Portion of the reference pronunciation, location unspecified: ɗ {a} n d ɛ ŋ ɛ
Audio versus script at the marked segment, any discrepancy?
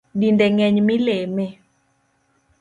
yes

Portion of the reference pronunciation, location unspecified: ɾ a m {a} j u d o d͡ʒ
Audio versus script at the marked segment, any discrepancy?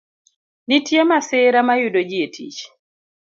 no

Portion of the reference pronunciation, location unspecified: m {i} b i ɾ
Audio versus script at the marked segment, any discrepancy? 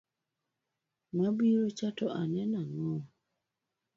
yes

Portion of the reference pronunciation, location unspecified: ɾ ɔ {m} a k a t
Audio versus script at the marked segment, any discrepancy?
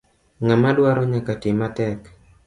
yes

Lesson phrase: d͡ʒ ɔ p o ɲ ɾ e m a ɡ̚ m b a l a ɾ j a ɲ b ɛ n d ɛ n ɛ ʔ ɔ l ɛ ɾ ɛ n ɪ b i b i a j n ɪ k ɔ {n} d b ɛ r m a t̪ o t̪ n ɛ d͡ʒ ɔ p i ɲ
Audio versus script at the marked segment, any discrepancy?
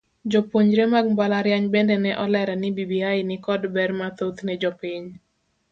yes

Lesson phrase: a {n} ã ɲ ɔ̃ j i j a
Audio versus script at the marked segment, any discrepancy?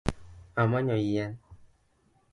yes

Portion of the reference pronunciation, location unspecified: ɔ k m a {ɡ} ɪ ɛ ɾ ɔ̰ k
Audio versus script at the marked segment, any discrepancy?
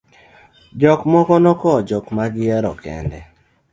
no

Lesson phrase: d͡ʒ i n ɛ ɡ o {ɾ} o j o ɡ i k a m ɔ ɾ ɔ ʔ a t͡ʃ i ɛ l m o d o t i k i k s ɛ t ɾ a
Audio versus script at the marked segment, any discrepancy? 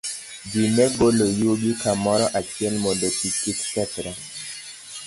yes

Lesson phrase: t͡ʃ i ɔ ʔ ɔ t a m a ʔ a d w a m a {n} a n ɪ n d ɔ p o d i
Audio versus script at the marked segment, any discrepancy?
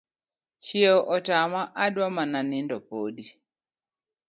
no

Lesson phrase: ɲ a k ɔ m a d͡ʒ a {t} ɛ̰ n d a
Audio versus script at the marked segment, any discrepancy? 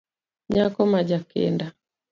yes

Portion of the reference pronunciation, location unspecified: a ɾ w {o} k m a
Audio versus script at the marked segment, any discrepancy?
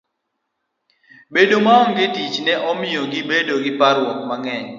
yes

